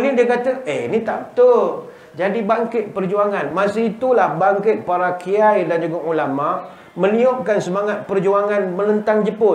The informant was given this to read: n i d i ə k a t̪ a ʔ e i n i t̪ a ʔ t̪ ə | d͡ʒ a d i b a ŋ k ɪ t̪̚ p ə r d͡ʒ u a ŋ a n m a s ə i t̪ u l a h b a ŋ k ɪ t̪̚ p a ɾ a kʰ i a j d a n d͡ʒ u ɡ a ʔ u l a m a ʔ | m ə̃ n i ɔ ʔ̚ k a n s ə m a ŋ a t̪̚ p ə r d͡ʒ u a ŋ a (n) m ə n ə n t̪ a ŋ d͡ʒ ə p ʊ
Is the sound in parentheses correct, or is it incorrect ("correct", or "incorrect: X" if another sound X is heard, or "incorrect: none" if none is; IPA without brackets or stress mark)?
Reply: correct